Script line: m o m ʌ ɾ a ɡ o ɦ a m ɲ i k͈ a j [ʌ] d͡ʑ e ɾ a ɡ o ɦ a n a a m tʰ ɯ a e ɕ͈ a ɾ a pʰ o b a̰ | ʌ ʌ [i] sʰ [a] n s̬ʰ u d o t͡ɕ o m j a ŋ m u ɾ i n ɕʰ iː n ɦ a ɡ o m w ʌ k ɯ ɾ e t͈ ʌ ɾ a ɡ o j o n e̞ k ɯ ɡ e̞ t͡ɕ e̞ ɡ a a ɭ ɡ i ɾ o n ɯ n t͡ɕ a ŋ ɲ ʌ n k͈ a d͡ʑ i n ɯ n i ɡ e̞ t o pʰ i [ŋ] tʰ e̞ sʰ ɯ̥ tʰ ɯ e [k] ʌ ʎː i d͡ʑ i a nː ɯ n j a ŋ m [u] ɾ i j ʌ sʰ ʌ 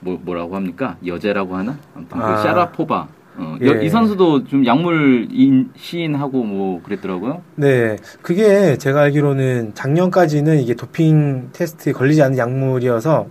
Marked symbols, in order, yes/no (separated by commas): yes, yes, no, yes, yes, yes